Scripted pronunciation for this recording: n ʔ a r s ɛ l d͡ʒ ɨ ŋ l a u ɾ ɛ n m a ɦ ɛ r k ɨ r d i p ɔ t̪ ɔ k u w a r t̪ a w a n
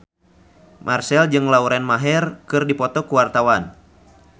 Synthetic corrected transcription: m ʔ a r s ɛ l d͡ʒ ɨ ŋ l a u ɾ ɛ n m a ɦ ɛ r k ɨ r d i p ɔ t̪ ɔ k u w a r t̪ a w a n

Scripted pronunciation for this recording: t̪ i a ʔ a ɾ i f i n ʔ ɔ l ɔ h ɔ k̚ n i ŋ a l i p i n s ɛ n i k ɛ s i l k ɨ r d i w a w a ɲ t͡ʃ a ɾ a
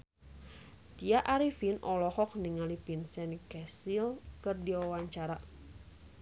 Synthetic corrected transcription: t̪ i a ʔ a ɾ i f i n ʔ ɔ l ɔ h ɔ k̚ n i ŋ a l i p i n s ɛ n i k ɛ s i l k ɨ r d i w a w a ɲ t͡ʃ a ɾ a

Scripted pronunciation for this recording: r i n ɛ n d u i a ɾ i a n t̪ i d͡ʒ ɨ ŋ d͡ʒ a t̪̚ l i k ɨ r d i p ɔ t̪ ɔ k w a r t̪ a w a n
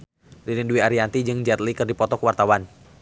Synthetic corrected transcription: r i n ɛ n d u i a ɾ i a n t̪ i d͡ʒ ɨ ŋ d͡ʒ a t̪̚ l i k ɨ r d i p ɔ t̪ ɔ k w a r t̪ a w a n

